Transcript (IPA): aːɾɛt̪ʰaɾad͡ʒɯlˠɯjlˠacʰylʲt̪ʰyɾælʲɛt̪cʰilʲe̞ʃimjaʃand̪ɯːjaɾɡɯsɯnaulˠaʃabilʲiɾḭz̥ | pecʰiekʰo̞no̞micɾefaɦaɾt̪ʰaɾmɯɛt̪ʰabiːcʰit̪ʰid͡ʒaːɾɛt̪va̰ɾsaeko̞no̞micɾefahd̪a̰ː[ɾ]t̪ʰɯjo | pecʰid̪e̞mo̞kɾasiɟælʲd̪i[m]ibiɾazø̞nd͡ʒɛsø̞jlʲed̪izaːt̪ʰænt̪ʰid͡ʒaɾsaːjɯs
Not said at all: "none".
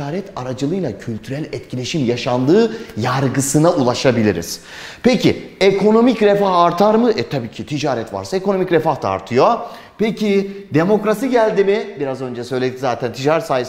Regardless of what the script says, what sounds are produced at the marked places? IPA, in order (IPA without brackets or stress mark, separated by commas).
ɾ, m